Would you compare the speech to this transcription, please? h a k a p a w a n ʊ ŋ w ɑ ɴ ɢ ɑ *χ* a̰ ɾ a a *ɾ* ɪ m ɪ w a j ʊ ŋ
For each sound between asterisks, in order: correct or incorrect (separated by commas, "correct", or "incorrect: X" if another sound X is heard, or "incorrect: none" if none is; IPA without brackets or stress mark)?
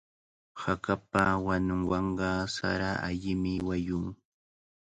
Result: incorrect: s, incorrect: ʎ